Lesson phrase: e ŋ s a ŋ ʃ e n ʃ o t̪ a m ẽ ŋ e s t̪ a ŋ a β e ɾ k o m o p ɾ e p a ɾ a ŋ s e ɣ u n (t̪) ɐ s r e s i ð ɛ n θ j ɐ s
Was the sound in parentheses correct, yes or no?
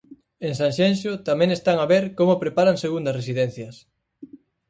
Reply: no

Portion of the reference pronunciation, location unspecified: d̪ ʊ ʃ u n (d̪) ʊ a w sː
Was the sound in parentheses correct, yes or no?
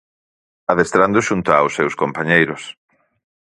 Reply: no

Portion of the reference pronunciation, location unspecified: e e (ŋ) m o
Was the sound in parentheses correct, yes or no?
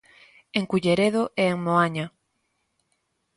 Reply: yes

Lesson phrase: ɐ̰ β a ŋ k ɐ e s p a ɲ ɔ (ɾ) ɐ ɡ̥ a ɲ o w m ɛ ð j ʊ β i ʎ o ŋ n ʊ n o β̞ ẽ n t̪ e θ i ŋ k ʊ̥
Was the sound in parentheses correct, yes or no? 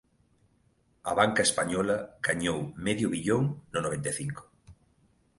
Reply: no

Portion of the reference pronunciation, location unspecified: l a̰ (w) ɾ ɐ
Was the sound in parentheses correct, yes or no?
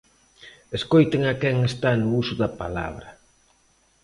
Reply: no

